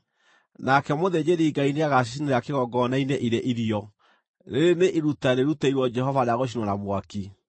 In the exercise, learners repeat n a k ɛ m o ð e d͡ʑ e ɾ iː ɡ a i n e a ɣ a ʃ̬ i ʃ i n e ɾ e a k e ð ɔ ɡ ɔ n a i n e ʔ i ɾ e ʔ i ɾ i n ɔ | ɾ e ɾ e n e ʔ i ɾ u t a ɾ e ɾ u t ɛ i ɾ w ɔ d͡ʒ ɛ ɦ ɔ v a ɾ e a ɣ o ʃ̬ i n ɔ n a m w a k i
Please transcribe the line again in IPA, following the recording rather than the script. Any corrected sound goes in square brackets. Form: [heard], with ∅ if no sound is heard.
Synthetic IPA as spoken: n a k ɛ m o ð e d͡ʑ e ɾ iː ɡ a i n e a ɣ a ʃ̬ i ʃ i n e ɾ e a k e [ɣ] ɔ ɡ ɔ n a i n e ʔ i ɾ e ʔ i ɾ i [∅] ɔ | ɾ e ɾ e n e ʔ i ɾ u t a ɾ e ɾ u t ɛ i ɾ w ɔ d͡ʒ ɛ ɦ ɔ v a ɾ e a ɣ o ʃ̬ i n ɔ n a m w a k i